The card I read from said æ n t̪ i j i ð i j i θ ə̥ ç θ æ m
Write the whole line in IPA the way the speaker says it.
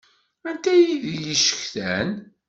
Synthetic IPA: æ n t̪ æ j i ð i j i ʃ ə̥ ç θ æ n